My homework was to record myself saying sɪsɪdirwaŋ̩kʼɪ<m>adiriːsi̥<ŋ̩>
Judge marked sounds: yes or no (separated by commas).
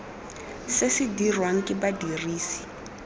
no, no